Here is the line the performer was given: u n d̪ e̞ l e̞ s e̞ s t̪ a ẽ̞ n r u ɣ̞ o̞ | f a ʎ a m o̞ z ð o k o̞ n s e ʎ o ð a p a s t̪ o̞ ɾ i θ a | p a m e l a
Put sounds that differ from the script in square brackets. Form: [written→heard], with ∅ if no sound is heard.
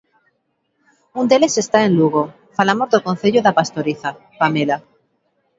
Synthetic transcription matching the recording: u n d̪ e̞ l e̞ s e̞ s t̪ a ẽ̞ n [r→l] u ɣ̞ o̞ | f a [ʎ→l] a m o̞ z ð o k o̞ n [s→θ] e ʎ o ð a p a s t̪ o̞ ɾ i θ a | p a m e l a